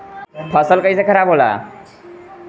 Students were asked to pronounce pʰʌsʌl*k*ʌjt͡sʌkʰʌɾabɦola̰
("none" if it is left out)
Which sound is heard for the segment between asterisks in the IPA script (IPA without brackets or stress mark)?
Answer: k